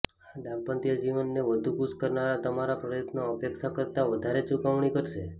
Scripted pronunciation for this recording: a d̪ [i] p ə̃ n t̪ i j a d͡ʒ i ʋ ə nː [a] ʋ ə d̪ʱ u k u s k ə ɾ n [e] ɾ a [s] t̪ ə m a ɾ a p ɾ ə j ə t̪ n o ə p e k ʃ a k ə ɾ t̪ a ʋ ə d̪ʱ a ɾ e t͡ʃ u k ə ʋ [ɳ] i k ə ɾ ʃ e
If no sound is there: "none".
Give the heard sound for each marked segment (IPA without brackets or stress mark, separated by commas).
a, e, a, none, ɳ